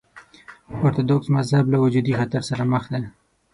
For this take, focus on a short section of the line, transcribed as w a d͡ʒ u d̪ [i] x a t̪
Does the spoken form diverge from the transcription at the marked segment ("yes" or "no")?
no